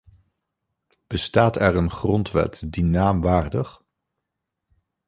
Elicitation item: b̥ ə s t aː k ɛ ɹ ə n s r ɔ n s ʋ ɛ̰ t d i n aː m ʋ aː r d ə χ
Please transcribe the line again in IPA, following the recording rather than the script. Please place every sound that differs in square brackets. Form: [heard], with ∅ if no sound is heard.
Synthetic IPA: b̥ ə s t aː [t] ɛ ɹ ə n [χ] r ɔ n [t] ʋ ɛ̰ t d i n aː m ʋ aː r d ə χ